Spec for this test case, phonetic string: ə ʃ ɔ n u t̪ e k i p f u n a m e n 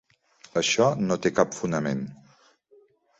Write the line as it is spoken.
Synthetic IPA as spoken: ə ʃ ɔ n o t̪ e k a p f u n ə m e n